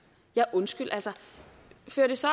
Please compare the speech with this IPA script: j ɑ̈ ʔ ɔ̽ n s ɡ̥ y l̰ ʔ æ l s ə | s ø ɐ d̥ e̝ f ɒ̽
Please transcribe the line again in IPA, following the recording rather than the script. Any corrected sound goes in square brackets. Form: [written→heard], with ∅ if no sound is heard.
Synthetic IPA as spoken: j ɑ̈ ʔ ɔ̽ n s ɡ̥ y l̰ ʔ æ l s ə | [s→f] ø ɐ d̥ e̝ [f→s] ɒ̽